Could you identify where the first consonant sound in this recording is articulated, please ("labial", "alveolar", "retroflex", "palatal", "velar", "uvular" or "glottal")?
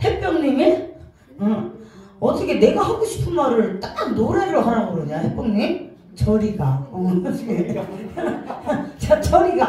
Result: glottal